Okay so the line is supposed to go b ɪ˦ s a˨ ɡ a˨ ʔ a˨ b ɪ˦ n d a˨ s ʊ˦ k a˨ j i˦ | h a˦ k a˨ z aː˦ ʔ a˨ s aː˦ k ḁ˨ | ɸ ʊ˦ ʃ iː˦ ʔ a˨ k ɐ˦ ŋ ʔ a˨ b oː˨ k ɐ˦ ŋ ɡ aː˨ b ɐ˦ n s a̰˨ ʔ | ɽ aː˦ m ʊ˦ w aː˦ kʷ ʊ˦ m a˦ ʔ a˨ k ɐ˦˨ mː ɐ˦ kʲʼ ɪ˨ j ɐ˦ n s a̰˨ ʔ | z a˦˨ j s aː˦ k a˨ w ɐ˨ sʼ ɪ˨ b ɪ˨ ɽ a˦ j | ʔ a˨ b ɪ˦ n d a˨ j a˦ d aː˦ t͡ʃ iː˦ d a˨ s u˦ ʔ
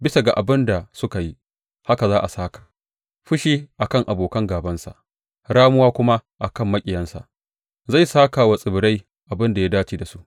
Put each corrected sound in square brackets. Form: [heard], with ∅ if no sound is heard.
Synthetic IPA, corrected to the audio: b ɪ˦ s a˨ ɡ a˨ ʔ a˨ b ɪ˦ n d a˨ s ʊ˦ k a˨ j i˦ | h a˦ k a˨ z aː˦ ʔ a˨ s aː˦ k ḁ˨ | ɸ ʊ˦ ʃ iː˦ ʔ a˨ k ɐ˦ ŋ ʔ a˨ b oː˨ k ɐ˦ ŋ ɡ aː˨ b ɐ˦ n s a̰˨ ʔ | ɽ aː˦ m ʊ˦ w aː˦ kʷ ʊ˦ m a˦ ʔ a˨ k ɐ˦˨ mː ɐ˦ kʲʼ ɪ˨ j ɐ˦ n s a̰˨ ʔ | z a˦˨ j s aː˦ k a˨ w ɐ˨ sʼ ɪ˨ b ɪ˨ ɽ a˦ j | ʔ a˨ b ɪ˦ n d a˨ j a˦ d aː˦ t͡ʃ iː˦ d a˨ s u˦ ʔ